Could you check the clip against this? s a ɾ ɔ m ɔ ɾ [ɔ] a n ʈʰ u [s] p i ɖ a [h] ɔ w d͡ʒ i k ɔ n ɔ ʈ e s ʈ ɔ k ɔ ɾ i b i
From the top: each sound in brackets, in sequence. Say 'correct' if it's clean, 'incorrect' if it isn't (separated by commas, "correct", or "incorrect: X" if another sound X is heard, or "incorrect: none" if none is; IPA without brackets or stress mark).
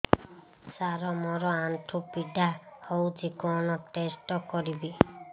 correct, incorrect: none, correct